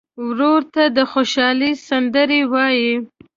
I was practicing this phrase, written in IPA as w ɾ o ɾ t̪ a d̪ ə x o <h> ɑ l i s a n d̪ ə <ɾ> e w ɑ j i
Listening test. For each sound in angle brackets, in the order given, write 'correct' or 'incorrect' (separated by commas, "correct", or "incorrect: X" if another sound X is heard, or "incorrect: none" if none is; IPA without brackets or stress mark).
incorrect: ʃ, correct